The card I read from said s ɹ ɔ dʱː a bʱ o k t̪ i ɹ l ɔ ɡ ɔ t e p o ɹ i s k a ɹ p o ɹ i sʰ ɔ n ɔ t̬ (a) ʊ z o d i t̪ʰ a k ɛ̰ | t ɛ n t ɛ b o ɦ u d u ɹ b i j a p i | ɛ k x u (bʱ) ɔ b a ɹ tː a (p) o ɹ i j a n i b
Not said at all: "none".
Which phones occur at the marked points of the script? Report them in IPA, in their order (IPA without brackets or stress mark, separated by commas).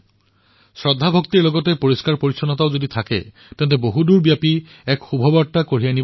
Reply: a, bʱ, k